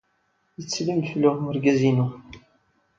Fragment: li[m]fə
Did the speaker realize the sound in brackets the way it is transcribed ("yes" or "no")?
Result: yes